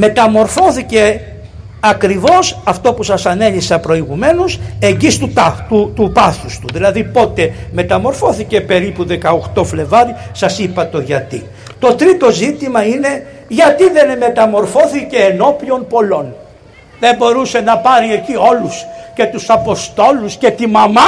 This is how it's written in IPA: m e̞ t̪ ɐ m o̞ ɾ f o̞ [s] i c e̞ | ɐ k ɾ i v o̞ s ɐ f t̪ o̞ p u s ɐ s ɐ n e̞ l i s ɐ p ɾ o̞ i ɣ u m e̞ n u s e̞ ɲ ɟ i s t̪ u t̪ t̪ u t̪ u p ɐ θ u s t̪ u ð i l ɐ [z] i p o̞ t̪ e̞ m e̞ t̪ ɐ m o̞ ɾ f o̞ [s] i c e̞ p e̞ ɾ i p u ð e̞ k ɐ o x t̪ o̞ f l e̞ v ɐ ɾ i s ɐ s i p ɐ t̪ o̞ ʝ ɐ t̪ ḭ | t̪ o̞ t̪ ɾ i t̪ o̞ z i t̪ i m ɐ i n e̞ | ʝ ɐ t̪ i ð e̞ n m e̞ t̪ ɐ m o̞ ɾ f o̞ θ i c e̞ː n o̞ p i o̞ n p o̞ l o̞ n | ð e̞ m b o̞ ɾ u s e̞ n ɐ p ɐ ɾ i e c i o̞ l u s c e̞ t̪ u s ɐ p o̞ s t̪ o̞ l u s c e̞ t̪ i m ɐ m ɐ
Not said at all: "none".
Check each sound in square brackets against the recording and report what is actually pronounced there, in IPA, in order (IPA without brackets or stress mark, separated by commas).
θ, ð, θ